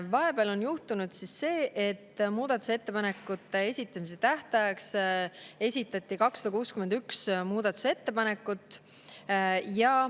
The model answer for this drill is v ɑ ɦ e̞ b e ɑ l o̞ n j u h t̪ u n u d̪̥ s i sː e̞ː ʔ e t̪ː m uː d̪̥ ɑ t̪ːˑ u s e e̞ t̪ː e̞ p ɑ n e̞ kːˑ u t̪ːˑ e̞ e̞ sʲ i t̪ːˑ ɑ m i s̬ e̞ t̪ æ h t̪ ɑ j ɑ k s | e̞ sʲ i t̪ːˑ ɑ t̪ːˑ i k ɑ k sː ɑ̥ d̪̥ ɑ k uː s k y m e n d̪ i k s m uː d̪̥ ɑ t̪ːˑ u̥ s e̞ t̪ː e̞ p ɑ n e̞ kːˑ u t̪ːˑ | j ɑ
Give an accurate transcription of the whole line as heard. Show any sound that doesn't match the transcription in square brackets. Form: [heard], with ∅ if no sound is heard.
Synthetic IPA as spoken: v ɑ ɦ e̞ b e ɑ l o̞ n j u h t̪ u n u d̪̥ s i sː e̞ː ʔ e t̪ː m uː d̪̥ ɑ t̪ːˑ u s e e̞ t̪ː e̞ p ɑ n e̞ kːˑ u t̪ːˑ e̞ e̞ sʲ i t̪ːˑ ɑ m i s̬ e̞ t̪ æ h t̪ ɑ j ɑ k s | e̞ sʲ i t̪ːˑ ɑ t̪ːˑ i k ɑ k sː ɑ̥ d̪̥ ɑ k uː s k y m e n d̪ [y] k s m uː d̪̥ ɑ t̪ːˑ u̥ s e̞ t̪ː e̞ p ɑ n e̞ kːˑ u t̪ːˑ | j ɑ